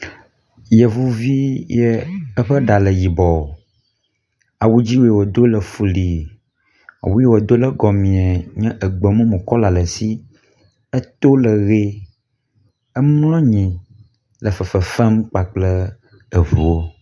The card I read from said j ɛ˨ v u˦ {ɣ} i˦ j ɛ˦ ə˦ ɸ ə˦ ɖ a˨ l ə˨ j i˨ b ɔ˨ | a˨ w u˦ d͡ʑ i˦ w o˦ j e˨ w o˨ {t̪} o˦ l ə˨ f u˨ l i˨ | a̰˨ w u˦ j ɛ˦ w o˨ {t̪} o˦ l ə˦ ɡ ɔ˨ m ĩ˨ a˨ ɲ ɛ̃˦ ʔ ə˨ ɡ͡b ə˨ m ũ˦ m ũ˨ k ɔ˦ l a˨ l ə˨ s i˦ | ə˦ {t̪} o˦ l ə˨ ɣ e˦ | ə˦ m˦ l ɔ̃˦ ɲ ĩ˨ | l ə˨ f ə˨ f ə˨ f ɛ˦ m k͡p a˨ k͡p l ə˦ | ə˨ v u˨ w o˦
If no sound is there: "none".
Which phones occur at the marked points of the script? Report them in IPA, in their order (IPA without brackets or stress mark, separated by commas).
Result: v, d̪, d̪, t̪